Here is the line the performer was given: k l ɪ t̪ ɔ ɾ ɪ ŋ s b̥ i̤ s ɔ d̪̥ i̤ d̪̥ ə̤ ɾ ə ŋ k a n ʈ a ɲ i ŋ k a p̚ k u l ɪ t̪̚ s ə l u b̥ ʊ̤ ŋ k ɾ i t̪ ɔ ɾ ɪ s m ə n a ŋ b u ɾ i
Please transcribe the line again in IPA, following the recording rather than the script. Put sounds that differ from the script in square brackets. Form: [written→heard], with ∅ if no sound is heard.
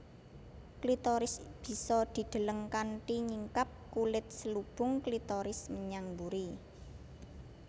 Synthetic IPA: k l [ɪ→i] t̪ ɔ ɾ ɪ [ŋ→∅] s b̥ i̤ s ɔ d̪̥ i̤ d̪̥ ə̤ [ɾ→l] ə ŋ k a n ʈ [a→i] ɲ i ŋ k a p̚ k u l ɪ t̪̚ s ə l u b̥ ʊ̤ ŋ k [ɾ→l] i t̪ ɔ ɾ ɪ s m ə [n→ɲ] a ŋ b u ɾ i